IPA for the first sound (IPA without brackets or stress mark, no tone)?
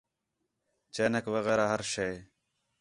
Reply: t͡ʃ